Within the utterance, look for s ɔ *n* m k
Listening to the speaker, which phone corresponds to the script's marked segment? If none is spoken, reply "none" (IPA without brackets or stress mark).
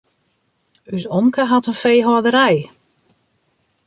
none